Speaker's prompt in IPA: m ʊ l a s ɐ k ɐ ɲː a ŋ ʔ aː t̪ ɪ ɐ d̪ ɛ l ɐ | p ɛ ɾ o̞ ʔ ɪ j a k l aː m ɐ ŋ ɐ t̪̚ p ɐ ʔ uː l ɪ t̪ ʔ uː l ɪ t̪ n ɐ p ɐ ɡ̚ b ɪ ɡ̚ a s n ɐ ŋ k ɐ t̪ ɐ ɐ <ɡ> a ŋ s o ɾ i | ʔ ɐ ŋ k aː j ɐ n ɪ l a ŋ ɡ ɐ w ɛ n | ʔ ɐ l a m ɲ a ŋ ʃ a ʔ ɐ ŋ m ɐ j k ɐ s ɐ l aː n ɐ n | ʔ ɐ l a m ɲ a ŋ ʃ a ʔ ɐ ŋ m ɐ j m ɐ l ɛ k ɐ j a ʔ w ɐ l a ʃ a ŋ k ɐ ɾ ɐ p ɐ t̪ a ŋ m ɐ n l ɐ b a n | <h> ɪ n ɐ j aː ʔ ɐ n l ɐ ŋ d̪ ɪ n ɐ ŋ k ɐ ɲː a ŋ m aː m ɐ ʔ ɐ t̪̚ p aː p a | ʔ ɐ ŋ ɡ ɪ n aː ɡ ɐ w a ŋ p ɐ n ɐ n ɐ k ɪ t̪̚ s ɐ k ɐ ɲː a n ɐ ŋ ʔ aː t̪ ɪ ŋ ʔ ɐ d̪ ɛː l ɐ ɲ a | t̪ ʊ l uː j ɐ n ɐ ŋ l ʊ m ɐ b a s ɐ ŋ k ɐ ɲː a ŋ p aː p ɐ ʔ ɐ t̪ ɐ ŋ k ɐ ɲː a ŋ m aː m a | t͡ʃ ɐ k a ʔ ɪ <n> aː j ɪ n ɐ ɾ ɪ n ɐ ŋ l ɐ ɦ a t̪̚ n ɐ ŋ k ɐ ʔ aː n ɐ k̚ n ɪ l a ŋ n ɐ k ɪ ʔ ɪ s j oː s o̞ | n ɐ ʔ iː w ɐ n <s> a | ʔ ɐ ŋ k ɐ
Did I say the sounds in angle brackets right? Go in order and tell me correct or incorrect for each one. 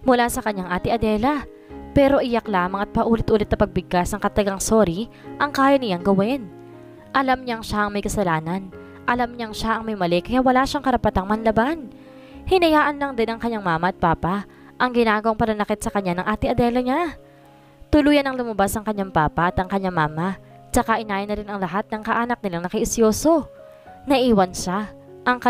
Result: correct, correct, correct, incorrect

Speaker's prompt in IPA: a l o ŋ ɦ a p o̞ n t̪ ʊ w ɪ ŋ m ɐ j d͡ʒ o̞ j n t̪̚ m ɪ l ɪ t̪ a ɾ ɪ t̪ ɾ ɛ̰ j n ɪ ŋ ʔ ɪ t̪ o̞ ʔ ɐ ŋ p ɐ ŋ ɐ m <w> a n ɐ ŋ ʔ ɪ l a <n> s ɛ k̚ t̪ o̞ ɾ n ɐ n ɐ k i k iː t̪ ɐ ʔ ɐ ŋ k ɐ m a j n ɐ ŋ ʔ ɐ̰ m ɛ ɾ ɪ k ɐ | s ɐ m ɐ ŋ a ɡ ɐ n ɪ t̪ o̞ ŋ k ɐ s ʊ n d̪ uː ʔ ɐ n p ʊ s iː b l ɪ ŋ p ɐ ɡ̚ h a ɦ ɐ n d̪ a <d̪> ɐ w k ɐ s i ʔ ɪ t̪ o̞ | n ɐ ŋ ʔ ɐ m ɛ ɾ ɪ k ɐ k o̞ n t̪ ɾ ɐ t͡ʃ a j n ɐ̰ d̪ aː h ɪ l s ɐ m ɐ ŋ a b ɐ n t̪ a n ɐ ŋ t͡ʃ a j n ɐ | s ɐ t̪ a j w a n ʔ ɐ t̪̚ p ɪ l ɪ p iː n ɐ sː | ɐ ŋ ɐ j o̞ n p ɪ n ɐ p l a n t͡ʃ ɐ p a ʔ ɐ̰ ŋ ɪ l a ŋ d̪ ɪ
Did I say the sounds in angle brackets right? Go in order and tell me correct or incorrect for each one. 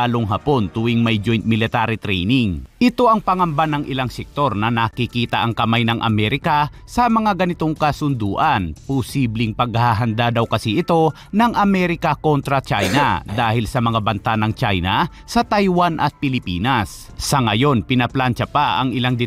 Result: incorrect, incorrect, correct

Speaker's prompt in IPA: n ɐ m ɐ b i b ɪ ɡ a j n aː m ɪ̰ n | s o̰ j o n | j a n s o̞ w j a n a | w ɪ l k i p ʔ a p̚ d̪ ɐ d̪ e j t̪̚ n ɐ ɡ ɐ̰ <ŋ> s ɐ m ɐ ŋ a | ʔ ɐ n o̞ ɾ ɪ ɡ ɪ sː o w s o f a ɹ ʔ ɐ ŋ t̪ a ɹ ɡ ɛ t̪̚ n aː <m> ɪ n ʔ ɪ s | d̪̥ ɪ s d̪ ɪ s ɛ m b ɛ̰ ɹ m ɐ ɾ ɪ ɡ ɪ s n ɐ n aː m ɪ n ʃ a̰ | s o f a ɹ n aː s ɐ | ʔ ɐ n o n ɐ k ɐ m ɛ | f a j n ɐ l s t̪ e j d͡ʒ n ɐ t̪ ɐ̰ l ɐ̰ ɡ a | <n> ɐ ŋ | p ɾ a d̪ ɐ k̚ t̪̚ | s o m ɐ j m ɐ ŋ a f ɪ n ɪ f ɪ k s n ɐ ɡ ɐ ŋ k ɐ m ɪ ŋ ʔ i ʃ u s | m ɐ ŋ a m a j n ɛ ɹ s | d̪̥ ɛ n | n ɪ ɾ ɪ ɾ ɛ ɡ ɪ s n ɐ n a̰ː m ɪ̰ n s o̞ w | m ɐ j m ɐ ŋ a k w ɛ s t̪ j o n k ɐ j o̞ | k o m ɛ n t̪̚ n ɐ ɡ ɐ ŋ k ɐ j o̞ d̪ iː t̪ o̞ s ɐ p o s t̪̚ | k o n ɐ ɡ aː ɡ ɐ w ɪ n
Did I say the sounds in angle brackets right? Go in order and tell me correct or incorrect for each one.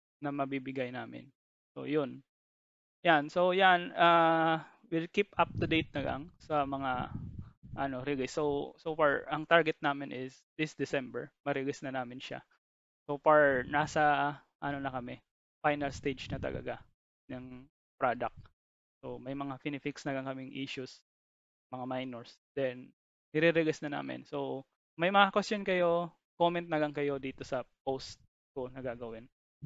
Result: correct, correct, correct

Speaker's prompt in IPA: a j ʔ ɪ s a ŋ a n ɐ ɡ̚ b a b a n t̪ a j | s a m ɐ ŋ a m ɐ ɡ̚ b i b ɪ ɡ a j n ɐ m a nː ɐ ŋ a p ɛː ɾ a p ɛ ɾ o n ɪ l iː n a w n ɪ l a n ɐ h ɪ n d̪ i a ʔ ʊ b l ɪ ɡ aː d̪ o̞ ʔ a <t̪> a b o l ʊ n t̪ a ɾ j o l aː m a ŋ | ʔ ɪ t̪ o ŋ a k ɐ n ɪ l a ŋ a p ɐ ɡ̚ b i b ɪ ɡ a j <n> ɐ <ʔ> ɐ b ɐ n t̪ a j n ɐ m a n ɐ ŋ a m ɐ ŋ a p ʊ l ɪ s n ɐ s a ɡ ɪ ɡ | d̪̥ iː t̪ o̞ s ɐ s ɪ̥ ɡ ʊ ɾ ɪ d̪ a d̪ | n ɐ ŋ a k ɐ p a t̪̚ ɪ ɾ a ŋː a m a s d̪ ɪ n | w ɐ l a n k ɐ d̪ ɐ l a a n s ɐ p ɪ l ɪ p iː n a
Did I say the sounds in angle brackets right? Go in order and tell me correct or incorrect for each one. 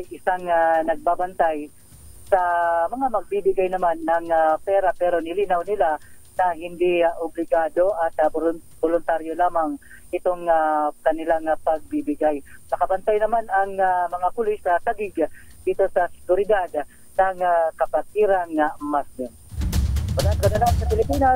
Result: correct, correct, incorrect

